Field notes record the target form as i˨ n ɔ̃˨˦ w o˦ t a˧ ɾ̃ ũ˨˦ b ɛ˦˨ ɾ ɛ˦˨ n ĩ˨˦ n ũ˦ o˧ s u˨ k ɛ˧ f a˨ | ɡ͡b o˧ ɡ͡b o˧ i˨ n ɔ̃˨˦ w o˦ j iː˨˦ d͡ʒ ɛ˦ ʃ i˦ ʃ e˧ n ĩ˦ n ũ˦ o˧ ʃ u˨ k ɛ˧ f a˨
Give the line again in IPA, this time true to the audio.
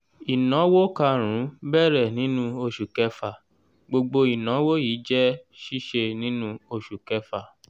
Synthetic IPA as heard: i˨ n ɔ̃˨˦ w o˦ k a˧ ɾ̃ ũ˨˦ b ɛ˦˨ ɾ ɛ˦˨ n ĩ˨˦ n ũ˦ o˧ ʃ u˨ k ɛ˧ f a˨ | ɡ͡b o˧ ɡ͡b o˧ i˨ n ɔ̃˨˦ w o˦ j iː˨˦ d͡ʒ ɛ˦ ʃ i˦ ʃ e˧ n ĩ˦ n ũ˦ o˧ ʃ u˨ k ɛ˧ f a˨

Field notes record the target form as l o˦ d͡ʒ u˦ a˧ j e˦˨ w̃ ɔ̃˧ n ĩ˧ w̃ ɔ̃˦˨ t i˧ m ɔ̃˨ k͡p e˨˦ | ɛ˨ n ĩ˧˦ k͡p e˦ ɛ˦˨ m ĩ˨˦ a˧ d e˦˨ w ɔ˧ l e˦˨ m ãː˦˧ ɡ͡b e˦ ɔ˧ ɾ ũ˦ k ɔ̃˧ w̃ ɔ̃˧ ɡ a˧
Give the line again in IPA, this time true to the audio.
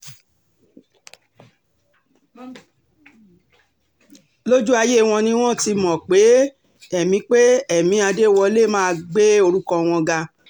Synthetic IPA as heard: l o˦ d͡ʒ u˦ a˧ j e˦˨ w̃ ɔ̃˧ n ĩ˧ w̃ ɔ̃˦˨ t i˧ m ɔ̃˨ k͡p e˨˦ | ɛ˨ m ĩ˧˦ k͡p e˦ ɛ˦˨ m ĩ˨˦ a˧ d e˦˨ w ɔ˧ l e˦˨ m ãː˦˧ ɡ͡b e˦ o˧ ɾ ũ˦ k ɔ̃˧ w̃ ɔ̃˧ ɡ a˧

